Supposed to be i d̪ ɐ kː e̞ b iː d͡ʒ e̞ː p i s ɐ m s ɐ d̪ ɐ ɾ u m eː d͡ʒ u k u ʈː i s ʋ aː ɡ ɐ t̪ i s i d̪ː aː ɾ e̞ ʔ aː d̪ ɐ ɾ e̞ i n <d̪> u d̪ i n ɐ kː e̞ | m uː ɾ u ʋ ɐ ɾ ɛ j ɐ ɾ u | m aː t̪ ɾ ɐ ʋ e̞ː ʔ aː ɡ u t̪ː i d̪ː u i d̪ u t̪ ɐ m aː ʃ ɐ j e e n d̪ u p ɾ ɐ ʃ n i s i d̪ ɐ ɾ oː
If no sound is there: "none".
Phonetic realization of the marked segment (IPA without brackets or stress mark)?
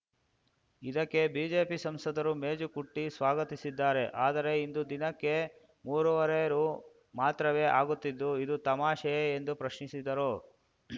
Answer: d̪